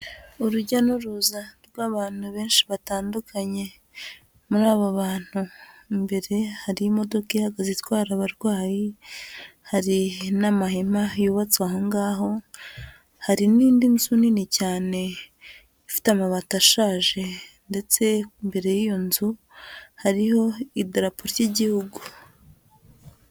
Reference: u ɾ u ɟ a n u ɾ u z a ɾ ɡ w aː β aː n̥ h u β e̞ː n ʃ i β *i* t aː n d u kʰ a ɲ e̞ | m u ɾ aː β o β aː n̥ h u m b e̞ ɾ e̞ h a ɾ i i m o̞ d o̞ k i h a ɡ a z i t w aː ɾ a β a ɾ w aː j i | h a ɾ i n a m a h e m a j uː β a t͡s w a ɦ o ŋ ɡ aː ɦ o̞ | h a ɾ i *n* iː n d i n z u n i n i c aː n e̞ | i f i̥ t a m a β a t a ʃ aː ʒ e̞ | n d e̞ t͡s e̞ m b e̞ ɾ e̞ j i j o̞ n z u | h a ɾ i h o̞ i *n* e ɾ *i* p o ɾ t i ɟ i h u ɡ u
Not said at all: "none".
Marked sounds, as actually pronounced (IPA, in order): a, n, d, a

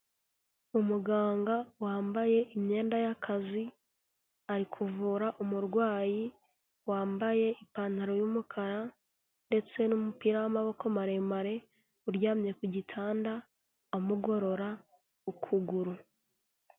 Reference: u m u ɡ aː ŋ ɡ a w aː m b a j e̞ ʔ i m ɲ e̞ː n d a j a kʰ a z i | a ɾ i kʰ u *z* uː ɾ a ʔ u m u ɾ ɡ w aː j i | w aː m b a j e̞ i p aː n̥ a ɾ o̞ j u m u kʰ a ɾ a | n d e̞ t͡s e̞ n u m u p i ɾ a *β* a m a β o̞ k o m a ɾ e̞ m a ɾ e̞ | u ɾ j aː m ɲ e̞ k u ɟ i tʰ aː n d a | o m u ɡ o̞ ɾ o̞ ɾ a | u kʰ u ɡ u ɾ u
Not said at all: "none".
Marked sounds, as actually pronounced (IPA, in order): v, w

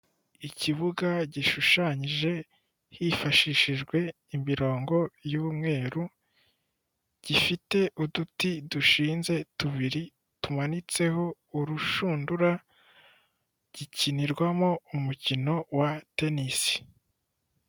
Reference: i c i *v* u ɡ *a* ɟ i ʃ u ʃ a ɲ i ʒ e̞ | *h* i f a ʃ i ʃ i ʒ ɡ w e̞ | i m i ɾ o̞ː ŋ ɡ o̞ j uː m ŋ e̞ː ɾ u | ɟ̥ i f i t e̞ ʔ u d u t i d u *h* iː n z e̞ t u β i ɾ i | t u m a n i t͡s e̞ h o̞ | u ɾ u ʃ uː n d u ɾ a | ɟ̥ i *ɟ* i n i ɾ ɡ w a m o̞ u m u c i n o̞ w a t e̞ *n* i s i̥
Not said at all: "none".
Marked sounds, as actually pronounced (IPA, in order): β, a, h, ʃ, c, n

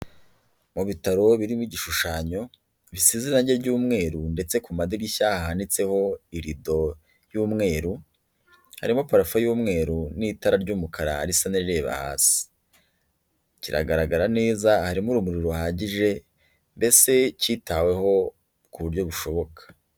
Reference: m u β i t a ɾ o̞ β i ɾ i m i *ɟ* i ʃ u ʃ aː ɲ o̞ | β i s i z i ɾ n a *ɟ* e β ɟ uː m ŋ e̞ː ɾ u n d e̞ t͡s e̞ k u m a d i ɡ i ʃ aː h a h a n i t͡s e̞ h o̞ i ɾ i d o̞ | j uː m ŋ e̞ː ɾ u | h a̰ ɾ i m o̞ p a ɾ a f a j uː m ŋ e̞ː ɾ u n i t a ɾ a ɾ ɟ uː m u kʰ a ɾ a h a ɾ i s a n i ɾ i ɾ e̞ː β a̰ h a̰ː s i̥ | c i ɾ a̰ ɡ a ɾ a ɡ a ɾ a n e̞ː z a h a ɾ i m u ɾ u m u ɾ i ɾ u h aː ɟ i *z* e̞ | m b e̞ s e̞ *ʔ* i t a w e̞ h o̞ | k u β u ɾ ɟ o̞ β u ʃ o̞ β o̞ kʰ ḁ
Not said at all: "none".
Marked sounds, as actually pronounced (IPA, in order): ɟ, ɟ, ʒ, c

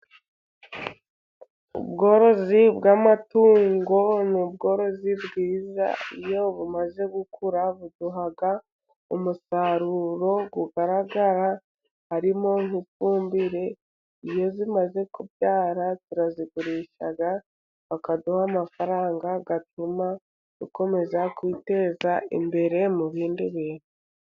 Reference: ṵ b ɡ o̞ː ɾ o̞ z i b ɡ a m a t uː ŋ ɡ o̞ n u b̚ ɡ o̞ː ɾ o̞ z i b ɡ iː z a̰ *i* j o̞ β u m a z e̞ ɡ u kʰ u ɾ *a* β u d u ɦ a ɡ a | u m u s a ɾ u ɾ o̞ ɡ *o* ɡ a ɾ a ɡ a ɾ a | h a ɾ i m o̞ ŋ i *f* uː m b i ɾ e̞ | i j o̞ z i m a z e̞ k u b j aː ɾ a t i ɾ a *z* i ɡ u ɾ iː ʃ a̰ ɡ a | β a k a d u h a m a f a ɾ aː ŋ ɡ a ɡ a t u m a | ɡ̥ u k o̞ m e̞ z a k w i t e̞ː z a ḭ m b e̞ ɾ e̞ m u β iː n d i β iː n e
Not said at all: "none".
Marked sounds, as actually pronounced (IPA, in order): i, a, u, f, z

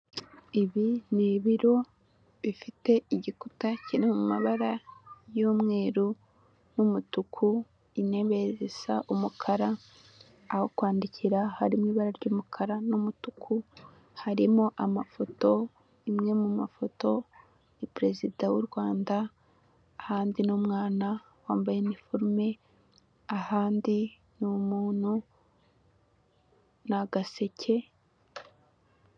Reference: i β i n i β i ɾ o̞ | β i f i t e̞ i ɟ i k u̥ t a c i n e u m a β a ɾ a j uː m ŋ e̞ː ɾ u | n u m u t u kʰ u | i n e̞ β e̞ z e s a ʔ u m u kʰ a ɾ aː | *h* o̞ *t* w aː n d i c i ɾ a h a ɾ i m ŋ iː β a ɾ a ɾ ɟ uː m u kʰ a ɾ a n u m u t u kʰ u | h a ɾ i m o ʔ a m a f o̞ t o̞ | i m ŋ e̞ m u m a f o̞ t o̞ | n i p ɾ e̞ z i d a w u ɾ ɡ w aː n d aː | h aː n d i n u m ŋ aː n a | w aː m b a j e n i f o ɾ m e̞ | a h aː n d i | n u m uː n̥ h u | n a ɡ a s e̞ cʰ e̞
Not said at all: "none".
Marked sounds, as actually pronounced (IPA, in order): h, k

